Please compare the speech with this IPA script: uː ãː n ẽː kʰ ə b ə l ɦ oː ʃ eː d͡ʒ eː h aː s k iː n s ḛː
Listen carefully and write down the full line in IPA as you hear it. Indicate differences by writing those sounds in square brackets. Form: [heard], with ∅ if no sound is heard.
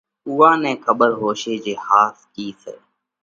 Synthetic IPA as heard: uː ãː n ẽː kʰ ə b ə [ɾ] ɦ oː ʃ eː d͡ʒ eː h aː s k iː [∅] s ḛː